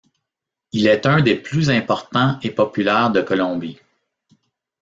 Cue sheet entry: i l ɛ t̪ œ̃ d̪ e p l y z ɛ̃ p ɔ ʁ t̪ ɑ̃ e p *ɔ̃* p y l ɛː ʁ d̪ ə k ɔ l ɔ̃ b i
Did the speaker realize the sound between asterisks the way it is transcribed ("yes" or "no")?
no